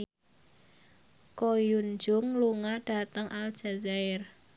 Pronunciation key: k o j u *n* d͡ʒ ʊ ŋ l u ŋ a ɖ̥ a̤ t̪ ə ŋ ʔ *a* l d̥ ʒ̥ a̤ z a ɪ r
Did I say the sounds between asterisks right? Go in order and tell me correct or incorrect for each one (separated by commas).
correct, correct